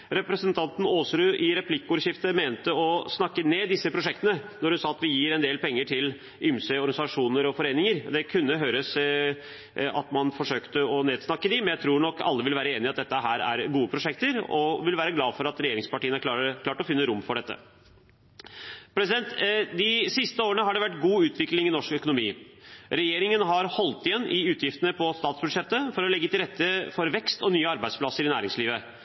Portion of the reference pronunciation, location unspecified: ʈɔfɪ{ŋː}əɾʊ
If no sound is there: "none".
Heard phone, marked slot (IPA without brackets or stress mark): nː